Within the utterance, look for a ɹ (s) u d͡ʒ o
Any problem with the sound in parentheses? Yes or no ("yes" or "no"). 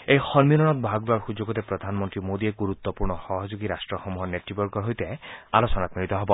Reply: yes